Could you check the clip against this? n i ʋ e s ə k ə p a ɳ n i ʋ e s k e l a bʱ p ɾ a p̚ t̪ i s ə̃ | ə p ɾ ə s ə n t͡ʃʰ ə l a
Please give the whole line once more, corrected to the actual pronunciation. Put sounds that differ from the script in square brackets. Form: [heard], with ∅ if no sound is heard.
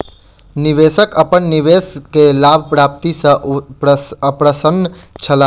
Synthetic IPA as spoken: n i ʋ e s ə k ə p [ə] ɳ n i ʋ e s k e l a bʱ p ɾ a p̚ t̪ i s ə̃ | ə p ɾ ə s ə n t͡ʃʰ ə l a